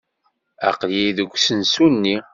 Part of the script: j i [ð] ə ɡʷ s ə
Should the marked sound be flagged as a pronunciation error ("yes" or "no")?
no